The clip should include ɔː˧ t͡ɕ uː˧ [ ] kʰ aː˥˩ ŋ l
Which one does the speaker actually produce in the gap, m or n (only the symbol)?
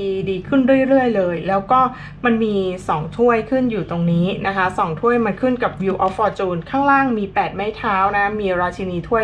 n